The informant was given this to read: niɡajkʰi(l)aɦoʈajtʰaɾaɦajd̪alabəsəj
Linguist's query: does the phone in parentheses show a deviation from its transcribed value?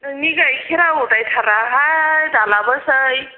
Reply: yes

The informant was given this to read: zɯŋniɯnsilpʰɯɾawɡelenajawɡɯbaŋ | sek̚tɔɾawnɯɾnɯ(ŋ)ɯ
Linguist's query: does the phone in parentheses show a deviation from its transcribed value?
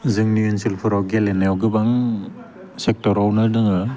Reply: no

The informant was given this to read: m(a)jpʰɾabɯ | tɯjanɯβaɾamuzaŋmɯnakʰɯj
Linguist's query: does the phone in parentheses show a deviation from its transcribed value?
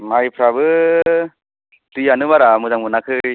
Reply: no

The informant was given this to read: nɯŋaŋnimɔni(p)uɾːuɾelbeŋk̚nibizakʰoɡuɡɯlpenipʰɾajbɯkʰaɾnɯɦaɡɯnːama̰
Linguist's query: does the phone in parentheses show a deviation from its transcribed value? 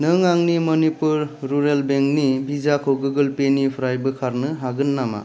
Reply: no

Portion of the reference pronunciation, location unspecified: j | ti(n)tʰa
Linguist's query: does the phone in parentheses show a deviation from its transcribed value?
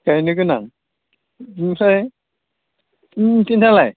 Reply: no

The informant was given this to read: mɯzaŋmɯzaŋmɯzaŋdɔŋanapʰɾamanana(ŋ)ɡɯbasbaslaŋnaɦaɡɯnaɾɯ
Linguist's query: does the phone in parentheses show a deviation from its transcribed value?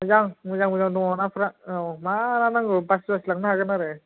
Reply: no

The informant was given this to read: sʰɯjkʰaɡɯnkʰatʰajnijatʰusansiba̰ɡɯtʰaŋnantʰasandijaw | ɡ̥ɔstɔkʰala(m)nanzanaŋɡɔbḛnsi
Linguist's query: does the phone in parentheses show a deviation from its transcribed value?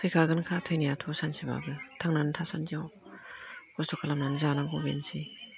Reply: no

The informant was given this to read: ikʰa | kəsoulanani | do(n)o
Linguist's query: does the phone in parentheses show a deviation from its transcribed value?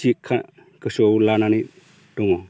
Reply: yes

